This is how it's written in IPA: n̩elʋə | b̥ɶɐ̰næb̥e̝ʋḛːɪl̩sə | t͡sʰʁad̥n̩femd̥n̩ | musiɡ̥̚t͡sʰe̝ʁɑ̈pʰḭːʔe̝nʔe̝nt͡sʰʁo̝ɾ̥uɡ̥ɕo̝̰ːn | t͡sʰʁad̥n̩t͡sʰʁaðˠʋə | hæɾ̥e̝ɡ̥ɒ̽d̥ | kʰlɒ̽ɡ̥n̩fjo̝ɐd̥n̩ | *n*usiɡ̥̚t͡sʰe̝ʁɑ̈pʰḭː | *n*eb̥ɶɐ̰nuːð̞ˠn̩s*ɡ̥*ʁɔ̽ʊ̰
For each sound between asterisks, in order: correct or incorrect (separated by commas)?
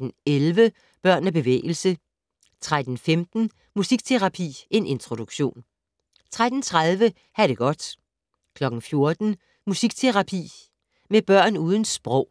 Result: incorrect, incorrect, incorrect